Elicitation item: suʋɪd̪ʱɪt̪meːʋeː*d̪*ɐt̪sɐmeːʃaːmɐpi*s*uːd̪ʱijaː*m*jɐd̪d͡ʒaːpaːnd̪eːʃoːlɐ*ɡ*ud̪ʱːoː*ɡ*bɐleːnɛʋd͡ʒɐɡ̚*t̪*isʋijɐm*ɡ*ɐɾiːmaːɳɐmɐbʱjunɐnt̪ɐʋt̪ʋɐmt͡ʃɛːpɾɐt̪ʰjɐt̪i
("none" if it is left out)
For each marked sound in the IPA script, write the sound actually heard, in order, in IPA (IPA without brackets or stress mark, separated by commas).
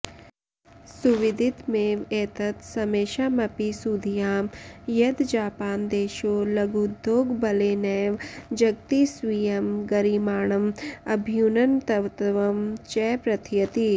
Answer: t̪, s, m, ɡ, ɡ, t̪, ɡ